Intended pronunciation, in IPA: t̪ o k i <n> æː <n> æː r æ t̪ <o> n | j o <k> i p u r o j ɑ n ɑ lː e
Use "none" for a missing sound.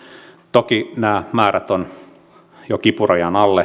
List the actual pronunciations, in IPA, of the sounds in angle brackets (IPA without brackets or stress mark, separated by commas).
n, m, o, k